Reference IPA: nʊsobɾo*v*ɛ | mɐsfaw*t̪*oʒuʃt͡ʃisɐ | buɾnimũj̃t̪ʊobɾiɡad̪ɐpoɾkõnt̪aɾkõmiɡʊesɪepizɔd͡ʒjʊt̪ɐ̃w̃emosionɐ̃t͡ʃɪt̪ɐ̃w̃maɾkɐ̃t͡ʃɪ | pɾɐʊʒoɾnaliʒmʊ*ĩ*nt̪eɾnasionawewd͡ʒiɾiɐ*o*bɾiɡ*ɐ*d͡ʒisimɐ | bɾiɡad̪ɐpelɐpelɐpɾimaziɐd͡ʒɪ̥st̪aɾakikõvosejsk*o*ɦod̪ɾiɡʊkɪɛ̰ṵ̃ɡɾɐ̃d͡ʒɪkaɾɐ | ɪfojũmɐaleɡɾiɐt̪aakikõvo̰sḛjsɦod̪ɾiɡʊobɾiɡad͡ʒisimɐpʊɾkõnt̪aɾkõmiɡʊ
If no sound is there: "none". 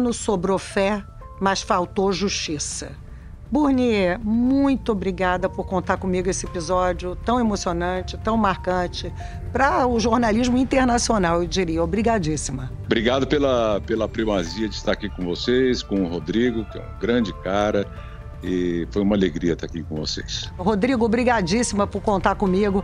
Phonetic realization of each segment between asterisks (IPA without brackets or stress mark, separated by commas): f, t̪, ĩ, o, a, õ